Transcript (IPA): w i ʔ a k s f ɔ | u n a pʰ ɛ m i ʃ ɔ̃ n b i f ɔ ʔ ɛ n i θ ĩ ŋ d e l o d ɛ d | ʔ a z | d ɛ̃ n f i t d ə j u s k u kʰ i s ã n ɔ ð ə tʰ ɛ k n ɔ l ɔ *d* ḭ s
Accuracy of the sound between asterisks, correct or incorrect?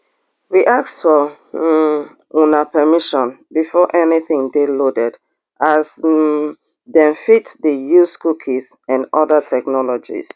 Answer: incorrect